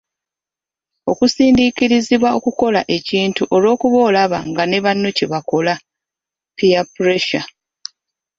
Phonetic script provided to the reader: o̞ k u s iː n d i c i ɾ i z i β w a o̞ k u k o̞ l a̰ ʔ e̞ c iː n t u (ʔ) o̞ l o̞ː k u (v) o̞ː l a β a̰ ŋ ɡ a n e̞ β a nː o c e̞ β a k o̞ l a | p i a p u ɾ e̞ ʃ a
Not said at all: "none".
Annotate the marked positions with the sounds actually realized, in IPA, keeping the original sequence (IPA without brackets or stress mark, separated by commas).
ʔ, β